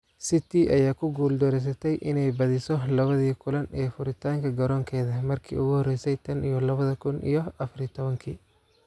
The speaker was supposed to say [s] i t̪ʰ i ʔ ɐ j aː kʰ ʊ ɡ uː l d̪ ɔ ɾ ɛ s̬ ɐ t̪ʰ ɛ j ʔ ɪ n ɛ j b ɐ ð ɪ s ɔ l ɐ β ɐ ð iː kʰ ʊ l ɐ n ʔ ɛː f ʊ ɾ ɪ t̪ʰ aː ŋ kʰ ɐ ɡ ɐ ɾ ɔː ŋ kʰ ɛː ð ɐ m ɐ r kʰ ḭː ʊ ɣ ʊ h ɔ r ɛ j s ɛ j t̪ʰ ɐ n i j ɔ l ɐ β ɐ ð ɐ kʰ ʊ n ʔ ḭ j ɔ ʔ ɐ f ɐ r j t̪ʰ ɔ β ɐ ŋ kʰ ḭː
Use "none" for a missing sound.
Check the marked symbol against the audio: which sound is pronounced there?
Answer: s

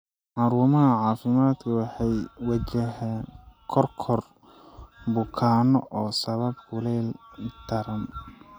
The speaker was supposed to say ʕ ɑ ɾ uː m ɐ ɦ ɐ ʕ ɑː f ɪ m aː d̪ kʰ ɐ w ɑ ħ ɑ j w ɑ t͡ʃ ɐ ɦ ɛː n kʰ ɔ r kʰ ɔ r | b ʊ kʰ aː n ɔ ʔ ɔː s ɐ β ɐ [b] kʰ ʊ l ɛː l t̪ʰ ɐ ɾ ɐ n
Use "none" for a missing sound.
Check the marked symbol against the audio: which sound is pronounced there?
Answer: b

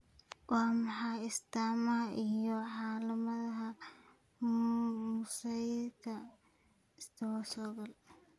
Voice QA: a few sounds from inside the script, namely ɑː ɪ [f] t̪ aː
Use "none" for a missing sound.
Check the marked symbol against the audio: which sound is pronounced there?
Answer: s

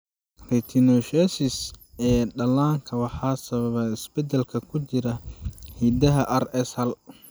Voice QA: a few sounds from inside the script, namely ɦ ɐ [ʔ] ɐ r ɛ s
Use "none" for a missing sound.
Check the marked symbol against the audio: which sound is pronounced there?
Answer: ʔ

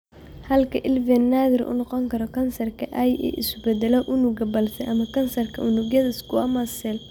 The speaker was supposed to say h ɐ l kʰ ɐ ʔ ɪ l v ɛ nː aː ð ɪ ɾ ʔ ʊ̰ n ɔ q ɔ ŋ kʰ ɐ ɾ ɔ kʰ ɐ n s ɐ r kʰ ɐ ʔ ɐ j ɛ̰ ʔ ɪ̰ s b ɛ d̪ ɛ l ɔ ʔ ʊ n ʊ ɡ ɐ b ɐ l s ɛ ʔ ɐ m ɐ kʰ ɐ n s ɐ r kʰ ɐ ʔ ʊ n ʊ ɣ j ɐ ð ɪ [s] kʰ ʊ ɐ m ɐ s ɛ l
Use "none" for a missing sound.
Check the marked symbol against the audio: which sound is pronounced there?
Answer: s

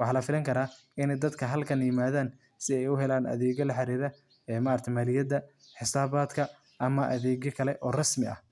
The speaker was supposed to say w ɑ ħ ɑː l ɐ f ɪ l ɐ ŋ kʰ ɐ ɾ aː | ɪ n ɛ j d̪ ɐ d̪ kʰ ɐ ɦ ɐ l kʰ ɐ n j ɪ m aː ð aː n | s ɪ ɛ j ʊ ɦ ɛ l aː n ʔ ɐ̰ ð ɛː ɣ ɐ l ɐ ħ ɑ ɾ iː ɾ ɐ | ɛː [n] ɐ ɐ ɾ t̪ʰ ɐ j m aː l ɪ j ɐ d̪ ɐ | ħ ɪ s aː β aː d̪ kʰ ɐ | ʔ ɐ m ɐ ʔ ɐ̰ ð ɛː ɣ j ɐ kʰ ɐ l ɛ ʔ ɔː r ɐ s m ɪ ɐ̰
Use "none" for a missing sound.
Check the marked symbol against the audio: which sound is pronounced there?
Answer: m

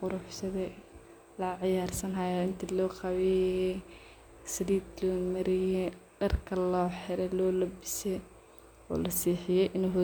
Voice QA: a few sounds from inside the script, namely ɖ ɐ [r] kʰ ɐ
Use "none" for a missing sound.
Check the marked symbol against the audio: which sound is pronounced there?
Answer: r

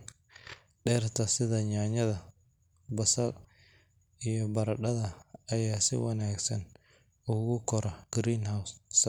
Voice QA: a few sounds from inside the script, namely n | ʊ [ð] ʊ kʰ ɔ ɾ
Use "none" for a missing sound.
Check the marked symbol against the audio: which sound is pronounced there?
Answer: ɣ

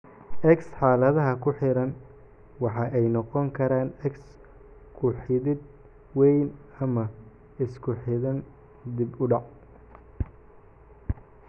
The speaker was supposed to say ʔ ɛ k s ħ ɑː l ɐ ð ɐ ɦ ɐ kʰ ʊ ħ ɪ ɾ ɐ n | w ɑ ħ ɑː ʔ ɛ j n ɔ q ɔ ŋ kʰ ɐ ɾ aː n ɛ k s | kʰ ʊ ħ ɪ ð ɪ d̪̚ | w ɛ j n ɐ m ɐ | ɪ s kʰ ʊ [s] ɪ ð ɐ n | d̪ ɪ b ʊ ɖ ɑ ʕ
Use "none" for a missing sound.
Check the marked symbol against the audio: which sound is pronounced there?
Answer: ħ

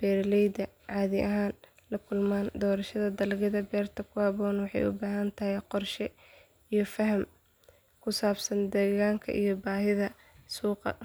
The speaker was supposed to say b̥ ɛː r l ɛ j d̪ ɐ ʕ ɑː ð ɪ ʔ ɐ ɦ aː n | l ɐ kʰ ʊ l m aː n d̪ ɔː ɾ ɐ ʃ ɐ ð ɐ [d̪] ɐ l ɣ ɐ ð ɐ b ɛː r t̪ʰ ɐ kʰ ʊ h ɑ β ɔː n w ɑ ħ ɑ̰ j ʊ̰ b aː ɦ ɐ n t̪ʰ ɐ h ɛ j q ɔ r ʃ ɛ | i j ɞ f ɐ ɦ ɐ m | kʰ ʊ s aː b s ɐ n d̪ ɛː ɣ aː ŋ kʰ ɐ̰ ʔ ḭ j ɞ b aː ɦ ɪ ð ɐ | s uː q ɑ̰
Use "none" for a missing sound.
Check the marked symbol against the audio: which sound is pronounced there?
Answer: d̪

